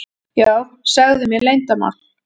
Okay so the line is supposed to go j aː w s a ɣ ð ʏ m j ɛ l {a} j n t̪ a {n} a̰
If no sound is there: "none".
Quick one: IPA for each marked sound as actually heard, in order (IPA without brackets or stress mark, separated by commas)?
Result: e, m